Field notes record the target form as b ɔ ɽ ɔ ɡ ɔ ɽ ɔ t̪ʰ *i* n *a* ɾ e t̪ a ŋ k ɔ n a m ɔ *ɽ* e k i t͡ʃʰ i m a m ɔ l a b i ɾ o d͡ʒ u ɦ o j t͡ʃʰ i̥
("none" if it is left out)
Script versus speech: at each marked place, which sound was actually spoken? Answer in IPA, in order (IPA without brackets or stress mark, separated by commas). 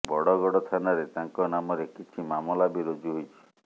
a, a, ɾ